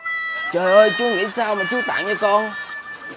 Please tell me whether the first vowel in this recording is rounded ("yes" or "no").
no